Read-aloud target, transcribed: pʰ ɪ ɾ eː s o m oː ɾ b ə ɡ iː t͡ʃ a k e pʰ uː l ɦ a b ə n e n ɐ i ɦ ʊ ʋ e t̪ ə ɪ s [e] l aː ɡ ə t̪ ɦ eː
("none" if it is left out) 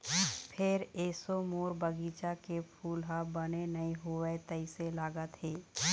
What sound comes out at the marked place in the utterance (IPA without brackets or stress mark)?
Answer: e